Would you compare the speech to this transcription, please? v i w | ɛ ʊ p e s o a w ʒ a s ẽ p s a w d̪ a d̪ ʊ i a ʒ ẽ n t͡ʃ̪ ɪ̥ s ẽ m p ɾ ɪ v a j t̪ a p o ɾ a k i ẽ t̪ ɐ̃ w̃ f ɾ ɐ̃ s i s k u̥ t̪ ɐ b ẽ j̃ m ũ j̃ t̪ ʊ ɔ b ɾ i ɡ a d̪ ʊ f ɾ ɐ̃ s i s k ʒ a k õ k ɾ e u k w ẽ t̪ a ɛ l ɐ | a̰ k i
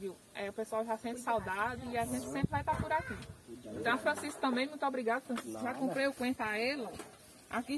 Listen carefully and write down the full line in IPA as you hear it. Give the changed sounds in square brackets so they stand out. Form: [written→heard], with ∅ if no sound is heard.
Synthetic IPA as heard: v i w | ɛ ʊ p e s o a w ʒ a s ẽ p s a w d̪ a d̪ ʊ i a ʒ ẽ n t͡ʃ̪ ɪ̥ s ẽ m p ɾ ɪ v a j t̪ a p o ɾ a k i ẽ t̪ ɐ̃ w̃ f ɾ ɐ̃ s i s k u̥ t̪ [ɐ→ɐ̃] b ẽ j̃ m ũ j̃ t̪ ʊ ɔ b ɾ i ɡ a d̪ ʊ f ɾ ɐ̃ s i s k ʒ a k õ [k→p] ɾ e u k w ẽ t̪ a ɛ l ɐ | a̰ k i